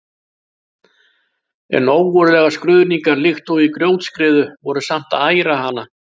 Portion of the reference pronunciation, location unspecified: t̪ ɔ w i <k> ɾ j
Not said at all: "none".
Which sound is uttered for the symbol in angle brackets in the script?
k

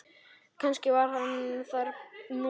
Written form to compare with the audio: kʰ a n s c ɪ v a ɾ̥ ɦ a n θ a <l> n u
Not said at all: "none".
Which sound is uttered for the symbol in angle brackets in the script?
ɾ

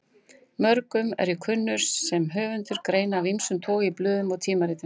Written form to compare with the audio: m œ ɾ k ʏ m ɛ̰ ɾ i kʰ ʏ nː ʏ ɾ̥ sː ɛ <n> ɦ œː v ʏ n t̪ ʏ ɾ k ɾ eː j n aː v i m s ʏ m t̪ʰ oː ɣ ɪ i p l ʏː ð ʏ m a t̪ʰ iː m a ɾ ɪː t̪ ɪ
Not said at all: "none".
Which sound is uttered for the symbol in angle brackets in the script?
m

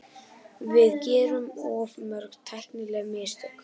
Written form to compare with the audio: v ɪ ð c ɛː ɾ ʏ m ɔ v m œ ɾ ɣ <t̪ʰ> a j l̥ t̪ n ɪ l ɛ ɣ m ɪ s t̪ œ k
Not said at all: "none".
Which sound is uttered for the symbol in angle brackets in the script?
t̪ʰ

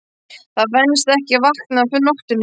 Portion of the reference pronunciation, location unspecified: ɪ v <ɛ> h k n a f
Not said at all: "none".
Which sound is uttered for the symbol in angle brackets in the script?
a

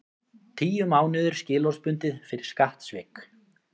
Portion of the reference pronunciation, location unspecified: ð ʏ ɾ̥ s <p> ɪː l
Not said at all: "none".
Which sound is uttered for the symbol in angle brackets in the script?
c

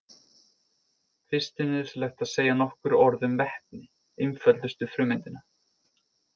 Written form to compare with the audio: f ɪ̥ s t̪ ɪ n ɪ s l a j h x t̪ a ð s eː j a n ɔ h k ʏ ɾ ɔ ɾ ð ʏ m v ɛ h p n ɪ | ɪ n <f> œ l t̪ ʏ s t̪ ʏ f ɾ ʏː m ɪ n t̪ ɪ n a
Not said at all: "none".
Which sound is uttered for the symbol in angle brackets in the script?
f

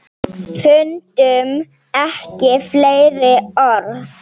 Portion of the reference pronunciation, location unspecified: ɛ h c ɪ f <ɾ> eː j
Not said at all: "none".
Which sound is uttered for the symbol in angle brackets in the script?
l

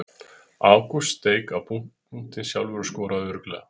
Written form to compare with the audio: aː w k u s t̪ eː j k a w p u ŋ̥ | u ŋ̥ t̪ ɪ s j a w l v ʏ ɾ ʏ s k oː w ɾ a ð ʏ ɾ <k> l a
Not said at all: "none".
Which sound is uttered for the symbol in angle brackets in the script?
k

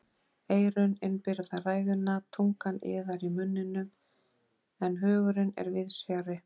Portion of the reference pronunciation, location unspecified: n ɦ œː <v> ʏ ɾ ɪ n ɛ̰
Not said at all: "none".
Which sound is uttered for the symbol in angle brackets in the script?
ɣ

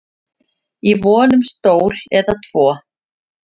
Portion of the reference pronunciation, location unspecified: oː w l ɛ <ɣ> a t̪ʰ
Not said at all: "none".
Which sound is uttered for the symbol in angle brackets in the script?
ð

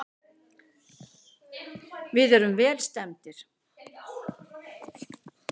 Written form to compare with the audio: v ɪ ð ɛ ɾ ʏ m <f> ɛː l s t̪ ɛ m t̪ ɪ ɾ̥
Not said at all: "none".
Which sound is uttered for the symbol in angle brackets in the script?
v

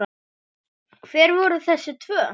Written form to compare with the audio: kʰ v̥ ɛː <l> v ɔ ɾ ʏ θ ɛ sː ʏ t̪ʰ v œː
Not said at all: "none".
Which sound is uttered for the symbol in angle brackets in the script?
ɾ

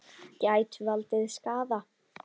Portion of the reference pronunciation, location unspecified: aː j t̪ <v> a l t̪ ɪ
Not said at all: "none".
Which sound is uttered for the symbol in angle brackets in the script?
v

